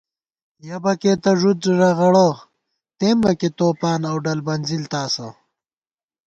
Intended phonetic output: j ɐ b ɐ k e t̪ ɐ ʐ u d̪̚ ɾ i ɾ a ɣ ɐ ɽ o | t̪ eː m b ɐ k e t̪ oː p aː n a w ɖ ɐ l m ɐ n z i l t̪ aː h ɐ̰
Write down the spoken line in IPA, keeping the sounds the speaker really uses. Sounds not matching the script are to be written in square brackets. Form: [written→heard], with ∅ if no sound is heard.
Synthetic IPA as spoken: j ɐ b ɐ k e t̪ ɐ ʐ u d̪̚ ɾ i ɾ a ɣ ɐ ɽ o | t̪ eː m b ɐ k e t̪ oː p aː n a w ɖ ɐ l [m→b] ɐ n z i l t̪ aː [h→s] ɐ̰